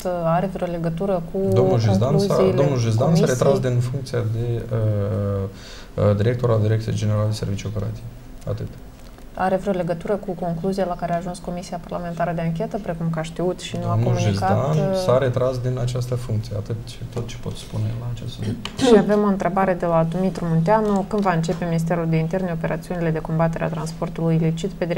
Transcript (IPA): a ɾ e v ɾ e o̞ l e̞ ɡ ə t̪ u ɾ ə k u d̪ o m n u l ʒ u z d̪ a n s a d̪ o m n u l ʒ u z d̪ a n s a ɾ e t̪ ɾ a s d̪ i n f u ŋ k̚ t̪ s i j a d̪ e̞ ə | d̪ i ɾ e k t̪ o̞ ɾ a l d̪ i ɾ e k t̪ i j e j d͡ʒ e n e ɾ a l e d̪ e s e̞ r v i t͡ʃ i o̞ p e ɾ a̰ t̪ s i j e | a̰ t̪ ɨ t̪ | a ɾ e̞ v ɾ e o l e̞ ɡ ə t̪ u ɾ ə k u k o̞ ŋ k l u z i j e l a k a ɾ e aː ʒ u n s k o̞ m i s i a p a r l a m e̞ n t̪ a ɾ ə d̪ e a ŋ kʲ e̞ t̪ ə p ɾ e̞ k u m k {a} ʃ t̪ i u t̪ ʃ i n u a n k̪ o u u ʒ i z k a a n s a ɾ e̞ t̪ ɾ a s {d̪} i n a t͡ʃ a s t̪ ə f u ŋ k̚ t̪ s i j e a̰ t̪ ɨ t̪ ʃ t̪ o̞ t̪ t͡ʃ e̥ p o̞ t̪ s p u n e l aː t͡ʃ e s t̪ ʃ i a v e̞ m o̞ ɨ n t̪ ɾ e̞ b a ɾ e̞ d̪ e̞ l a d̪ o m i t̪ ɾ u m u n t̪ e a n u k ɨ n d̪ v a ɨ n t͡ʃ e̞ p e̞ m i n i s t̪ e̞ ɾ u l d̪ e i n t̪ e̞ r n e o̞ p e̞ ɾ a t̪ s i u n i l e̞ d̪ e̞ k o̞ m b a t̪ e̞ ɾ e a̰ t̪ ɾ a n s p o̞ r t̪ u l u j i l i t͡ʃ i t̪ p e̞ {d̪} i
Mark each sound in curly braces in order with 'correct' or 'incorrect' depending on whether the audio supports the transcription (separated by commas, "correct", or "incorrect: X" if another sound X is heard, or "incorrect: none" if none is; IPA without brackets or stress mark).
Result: correct, correct, correct